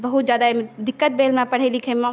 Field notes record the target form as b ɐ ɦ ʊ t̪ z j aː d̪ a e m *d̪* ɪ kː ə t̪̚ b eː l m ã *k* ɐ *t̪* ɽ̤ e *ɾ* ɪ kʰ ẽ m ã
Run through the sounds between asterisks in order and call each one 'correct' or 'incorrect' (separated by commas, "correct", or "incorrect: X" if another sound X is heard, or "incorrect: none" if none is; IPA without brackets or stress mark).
correct, incorrect: p, incorrect: none, incorrect: l